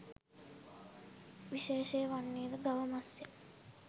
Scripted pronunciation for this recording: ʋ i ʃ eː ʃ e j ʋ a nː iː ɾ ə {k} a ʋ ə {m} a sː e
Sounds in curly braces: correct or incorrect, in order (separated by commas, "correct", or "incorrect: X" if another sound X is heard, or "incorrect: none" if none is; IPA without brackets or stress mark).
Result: incorrect: ɡ, correct